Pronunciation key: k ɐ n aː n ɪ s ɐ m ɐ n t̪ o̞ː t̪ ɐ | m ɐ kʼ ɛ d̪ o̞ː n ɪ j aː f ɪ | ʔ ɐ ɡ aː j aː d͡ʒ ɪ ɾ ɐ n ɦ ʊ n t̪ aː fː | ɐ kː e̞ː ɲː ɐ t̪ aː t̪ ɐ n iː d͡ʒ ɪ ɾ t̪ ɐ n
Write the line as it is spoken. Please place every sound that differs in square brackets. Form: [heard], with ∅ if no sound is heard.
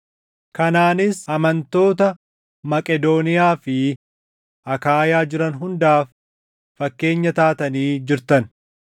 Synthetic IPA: k ɐ n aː n ɪ s ɐ m ɐ n t̪ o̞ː t̪ ɐ | m ɐ kʼ ɛ d̪ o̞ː n ɪ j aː f ɪ | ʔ ɐ [k] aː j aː d͡ʒ ɪ ɾ ɐ n ɦ ʊ n [d̪] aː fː | ɐ kː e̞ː ɲː ɐ t̪ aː t̪ ɐ n iː d͡ʒ ɪ ɾ t̪ ɐ n